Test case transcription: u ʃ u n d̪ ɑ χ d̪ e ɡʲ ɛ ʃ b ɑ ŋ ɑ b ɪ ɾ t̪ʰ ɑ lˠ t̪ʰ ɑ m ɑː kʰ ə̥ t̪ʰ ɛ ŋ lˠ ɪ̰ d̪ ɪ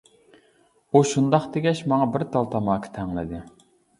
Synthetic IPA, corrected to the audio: u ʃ u n d̪ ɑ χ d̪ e ɡʲ ɛ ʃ m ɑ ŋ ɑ b ɪ ɾ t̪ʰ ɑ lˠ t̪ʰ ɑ m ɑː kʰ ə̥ t̪ʰ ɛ ŋ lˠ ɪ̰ d̪ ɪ